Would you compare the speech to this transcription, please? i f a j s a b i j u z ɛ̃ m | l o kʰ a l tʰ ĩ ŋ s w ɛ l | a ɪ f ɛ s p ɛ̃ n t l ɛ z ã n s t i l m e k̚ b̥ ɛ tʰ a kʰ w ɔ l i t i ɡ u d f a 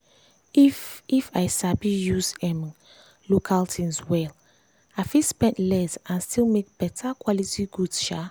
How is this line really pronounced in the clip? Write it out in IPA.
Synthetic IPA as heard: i f a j s a b i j u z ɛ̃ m | l o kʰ a l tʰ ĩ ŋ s w ɛ l | a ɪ f i s p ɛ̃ n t l ɛ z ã n s t i l m e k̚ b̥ ɛ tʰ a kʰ w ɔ l i t i ɡ u d ʃ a